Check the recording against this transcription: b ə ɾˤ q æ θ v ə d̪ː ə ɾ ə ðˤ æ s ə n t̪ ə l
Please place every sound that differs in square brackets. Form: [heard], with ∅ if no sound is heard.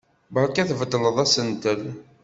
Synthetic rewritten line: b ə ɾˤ [k] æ θ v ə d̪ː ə [l] ə ðˤ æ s ə n t̪ ə l